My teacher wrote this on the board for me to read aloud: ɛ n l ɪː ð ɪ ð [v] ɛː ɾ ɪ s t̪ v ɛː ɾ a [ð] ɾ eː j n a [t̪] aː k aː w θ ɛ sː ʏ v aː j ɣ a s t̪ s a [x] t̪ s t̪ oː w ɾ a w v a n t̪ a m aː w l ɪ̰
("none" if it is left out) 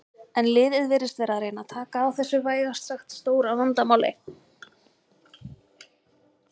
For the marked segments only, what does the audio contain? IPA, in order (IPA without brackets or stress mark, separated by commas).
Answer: v, ð, t̪ʰ, x